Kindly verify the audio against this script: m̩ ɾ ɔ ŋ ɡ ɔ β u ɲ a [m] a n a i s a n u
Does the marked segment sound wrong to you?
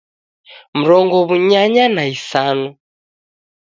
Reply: yes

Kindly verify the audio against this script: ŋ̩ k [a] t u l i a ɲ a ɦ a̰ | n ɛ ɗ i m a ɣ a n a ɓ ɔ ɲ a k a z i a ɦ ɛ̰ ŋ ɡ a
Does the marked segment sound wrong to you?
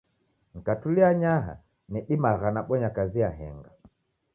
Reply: no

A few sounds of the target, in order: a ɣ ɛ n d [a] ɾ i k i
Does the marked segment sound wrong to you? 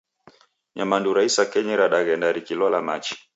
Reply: no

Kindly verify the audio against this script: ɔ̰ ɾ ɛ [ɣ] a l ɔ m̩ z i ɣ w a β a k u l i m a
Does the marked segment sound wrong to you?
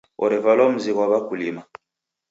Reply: yes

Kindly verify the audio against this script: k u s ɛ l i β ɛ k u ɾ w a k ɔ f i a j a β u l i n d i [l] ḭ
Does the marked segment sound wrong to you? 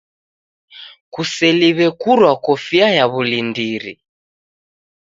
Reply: yes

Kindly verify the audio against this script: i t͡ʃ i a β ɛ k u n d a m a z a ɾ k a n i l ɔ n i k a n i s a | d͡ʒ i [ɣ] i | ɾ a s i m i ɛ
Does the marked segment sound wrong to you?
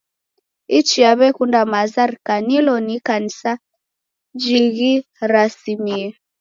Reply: no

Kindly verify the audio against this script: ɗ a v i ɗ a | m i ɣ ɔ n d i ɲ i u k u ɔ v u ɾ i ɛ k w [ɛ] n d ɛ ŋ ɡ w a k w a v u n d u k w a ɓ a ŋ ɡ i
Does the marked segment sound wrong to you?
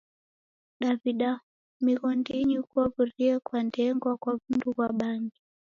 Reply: yes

